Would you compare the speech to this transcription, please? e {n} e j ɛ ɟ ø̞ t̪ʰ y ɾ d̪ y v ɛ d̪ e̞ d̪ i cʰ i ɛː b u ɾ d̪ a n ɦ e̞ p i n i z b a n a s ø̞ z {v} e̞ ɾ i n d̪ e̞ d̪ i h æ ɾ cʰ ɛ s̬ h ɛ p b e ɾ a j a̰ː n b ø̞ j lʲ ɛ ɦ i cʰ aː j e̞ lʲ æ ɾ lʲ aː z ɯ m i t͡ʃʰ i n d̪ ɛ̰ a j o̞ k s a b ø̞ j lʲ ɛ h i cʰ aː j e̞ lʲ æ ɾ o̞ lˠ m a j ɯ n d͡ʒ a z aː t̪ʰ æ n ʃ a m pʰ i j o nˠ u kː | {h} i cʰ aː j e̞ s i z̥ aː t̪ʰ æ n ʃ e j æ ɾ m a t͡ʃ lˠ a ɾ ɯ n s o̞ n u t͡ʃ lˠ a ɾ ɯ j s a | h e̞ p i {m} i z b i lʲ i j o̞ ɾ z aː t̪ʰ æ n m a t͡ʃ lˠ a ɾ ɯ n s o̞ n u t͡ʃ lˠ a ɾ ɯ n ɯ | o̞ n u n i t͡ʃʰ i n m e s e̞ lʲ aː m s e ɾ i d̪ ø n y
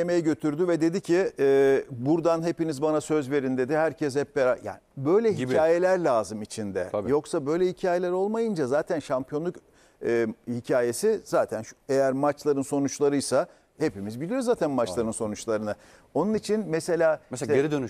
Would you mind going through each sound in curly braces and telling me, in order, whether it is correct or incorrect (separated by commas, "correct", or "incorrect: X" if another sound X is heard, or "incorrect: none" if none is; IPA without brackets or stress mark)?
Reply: incorrect: m, correct, correct, correct